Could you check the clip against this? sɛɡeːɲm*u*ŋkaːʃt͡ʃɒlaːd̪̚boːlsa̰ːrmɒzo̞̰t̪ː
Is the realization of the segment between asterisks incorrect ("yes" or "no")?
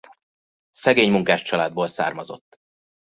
no